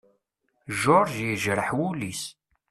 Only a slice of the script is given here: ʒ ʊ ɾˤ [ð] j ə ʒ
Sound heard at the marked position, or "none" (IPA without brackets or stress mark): ʒ